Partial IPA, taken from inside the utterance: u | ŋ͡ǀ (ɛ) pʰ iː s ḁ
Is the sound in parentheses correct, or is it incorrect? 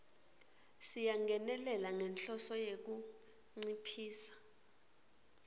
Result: incorrect